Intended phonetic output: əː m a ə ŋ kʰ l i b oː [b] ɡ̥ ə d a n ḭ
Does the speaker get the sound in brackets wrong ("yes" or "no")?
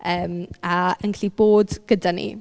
yes